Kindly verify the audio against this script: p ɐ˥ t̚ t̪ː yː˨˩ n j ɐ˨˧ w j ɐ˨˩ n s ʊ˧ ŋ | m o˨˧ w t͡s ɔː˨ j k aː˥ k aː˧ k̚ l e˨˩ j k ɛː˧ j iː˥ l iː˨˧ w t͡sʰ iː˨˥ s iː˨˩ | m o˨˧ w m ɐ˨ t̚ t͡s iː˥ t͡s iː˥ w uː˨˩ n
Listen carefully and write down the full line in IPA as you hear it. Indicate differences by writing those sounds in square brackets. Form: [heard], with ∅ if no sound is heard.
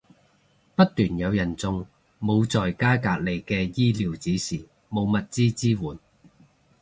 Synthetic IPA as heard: p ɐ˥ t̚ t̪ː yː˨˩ n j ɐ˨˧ w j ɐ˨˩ n [t͡s] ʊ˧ ŋ | m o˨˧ w t͡s ɔː˨ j k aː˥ k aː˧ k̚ l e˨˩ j k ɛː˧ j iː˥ l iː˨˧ w [t͡s] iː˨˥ s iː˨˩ | m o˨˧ w m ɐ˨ t̚ t͡s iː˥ t͡s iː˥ w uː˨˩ n